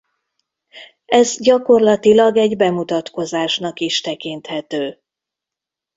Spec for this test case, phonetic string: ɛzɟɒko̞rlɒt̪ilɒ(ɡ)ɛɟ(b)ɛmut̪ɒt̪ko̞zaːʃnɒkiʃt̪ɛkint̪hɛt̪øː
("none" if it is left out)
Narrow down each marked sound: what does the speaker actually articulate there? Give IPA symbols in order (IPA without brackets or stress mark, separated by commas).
ɡ, b